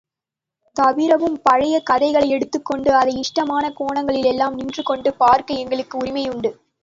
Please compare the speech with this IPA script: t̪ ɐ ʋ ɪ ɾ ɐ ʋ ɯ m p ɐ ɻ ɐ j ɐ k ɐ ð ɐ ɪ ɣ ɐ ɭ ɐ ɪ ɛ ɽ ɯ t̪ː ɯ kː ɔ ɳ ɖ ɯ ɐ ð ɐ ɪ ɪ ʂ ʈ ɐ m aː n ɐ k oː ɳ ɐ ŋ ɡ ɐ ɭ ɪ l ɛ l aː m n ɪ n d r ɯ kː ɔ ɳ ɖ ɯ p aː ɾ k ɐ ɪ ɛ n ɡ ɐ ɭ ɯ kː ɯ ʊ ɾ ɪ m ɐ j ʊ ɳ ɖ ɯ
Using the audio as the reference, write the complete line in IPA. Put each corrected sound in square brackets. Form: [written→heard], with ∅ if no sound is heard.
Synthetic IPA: t̪ ɐ ʋ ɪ ɾ ɐ ʋ ɯ m p ɐ ɻ ɐ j ɐ k ɐ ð ɐ ɪ ɣ ɐ ɭ ɐ ɪ ɛ ɽ ɯ t̪ː ɯ kː ɔ ɳ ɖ ɯ ɐ ð ɐ ɪ ɪ ʂ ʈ ɐ m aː n ɐ k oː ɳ ɐ ŋ ɡ ɐ ɭ ɪ l ɛ [l→lː] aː m n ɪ n d r ɯ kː ɔ ɳ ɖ ɯ p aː ɾ k ɐ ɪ ɛ [n→ŋ] ɡ ɐ ɭ ɯ kː ɯ ʊ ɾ ɪ m ɐ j ʊ ɳ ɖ ɯ